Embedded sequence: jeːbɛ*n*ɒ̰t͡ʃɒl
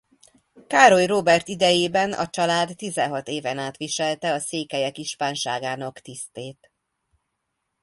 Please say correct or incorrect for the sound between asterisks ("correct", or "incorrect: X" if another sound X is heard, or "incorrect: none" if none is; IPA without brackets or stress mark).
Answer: correct